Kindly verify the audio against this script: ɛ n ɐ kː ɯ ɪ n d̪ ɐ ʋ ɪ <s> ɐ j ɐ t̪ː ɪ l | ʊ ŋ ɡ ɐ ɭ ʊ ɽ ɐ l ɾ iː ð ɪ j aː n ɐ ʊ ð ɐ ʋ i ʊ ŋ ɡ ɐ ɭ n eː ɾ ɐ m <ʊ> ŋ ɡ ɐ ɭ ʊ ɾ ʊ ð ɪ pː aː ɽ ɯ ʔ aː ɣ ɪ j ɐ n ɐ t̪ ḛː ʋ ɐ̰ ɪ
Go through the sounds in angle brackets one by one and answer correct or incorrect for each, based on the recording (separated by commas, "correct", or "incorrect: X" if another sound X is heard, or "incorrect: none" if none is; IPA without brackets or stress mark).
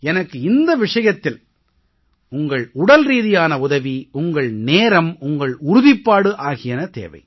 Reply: incorrect: ʂ, correct